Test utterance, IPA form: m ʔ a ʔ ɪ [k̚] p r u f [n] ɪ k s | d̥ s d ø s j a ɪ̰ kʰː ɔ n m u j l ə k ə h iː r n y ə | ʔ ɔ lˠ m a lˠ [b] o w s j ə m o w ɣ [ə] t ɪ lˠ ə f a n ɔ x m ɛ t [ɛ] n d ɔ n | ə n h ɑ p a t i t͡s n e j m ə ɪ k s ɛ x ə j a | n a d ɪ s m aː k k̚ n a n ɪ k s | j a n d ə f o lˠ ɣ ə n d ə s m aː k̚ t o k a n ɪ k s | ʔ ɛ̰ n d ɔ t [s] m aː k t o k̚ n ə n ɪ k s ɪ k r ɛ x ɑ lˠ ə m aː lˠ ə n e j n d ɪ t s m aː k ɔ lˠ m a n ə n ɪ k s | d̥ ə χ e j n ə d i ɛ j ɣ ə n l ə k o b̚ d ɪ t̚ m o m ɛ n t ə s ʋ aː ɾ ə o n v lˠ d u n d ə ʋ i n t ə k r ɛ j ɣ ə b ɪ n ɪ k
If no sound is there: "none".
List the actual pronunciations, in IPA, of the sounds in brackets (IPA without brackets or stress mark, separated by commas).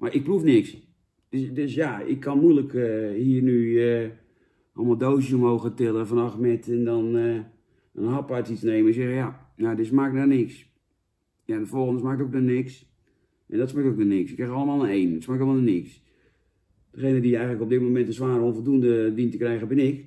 k̚, n, d, ə, ɛ, s